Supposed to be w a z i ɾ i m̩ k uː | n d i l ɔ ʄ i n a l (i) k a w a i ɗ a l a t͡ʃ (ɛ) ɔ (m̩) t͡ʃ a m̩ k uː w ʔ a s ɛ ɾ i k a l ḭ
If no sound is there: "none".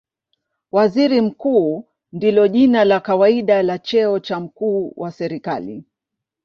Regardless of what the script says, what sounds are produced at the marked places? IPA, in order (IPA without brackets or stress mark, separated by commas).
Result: a, ɛ, none